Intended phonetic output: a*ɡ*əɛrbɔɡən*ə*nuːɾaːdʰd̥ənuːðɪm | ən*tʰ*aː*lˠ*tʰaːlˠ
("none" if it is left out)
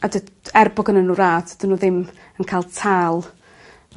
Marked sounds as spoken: d, ə, kʰ, lˠ

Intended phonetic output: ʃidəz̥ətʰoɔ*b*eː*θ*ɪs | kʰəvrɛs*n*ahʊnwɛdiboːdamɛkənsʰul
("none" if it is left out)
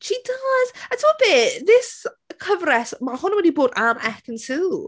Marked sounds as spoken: b, ð, m

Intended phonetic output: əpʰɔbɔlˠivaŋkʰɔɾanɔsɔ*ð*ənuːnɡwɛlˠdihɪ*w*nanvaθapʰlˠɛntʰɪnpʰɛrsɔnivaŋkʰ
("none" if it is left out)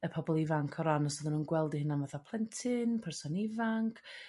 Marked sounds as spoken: ð, none

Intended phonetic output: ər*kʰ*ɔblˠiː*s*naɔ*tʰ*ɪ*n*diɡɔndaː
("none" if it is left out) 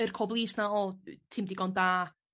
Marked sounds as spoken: kʰ, s, tʰ, m

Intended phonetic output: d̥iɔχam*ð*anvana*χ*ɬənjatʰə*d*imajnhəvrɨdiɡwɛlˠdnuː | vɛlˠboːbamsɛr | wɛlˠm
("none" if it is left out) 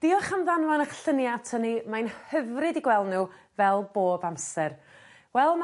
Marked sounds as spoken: ð, χ, n

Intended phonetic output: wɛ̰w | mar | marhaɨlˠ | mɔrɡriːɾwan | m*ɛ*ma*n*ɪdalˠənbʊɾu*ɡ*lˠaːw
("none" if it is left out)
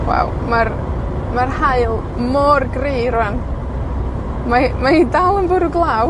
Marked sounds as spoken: a, none, ɡ

